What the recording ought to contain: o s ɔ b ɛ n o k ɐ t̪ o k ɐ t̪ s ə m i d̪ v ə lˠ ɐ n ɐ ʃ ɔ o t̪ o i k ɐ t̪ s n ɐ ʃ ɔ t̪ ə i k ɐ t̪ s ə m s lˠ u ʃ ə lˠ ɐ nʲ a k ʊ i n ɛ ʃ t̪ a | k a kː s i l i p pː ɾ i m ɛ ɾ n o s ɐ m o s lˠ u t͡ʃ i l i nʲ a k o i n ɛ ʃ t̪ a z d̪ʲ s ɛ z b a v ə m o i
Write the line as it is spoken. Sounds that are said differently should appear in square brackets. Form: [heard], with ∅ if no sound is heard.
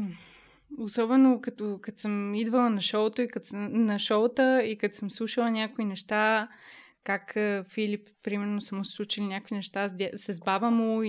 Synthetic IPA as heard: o s ɔ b ɛ n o k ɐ t̪ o k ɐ t̪ s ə m i d̪ v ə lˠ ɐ n ɐ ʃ ɔ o t̪ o i k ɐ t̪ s n ɐ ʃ ɔ t̪ ə i k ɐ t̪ s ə m s lˠ u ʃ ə lˠ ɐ nʲ a k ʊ i n ɛ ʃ t̪ a | k a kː [f] i l i p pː ɾ i m ɛ ɾ n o s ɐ m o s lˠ u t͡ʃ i l i nʲ a k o i n ɛ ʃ t̪ a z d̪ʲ s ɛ z b a v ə m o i